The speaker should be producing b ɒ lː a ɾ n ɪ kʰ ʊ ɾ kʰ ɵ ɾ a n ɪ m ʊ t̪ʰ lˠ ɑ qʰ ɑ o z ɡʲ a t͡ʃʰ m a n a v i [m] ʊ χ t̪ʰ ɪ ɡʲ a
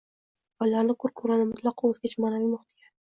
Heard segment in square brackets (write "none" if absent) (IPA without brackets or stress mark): m